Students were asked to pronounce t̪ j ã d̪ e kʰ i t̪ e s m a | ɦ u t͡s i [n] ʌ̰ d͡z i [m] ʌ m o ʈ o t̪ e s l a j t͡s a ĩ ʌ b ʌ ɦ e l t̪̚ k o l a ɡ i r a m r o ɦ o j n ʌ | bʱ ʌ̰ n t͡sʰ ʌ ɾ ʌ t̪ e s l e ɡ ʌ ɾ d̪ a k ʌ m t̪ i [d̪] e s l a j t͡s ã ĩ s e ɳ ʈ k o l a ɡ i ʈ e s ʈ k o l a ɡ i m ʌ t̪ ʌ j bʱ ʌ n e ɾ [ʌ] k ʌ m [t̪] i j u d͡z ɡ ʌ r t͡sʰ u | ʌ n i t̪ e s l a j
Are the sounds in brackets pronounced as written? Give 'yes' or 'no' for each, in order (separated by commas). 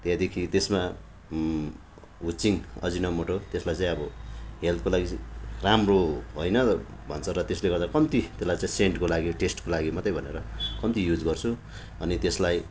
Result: no, no, no, yes, yes